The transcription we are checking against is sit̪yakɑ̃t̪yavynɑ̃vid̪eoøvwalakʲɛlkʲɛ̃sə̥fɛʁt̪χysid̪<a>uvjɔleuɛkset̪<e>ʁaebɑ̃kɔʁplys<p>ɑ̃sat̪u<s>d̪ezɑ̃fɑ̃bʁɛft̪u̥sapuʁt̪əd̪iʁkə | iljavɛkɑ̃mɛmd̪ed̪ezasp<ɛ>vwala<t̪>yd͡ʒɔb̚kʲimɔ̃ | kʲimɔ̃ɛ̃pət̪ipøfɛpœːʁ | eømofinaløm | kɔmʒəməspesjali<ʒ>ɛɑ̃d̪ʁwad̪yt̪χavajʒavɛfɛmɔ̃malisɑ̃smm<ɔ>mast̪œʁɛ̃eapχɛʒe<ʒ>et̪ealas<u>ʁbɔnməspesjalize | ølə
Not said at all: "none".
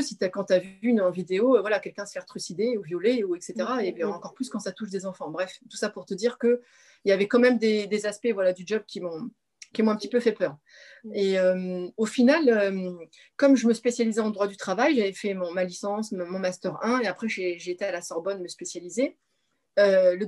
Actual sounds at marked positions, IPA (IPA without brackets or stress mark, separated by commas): e, e, k, ʃ, ɛ, d̪, z, ɔ̃, ʒ, ɔ